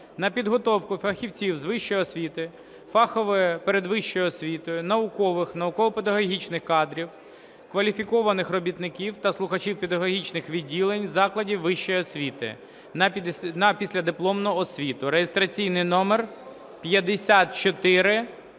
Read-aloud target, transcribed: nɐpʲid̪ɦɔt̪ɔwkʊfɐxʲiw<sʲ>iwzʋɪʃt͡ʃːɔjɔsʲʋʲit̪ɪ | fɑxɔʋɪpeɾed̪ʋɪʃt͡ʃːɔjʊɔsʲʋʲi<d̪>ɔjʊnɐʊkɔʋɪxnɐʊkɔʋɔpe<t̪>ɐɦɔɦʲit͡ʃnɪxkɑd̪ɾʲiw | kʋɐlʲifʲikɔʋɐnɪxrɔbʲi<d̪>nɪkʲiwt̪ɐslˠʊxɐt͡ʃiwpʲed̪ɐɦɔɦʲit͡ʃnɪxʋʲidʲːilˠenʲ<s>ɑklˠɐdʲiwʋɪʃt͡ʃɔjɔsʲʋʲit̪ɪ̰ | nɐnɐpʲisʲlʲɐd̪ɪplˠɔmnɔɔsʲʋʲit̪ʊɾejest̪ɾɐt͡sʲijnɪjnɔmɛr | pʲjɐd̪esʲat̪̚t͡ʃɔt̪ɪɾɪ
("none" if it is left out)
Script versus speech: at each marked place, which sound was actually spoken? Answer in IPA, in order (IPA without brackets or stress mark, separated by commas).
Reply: t͡sʲ, t̪, d̪, t̪, z